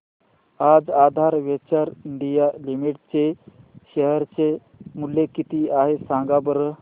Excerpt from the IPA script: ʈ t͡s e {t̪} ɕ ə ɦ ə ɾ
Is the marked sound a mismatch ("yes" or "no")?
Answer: yes